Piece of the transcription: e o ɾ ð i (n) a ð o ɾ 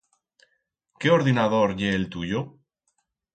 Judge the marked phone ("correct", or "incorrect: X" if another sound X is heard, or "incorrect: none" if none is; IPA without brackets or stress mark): correct